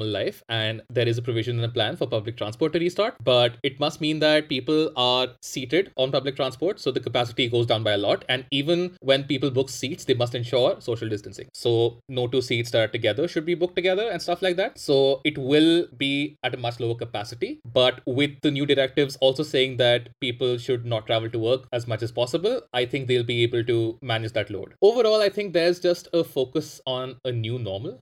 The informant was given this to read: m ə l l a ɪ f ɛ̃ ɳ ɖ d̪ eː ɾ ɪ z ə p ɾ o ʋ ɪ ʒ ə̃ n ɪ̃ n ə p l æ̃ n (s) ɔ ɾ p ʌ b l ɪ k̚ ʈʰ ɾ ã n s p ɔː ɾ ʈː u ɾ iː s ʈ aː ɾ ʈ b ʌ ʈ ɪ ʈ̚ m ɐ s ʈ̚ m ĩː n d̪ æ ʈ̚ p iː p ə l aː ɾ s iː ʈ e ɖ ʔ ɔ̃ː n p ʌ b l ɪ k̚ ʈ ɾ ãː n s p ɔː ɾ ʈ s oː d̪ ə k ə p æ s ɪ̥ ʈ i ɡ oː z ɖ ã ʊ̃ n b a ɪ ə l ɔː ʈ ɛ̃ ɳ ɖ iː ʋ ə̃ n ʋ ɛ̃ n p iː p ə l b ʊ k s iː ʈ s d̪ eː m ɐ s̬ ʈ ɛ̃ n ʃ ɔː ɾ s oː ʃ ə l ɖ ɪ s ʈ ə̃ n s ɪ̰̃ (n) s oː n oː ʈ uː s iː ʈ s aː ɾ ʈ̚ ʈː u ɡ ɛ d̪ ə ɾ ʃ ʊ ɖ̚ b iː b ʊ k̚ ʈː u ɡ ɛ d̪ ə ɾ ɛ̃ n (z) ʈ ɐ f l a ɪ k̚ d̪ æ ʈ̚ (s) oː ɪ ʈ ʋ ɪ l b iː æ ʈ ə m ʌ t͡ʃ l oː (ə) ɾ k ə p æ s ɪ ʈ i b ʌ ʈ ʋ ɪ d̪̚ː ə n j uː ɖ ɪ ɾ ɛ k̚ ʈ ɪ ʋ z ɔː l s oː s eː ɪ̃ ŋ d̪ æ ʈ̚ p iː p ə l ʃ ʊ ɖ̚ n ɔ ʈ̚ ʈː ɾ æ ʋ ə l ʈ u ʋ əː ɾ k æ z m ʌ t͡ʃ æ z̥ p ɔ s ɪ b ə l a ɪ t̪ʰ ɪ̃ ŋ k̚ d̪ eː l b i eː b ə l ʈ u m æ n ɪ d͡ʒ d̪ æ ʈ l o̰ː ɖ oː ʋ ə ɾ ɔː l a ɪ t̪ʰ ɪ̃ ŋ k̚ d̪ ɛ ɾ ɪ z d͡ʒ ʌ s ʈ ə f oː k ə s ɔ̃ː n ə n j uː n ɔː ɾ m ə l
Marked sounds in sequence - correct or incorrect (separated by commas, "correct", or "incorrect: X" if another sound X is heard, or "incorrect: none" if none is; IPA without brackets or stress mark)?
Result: incorrect: f, incorrect: ŋ, incorrect: s, correct, correct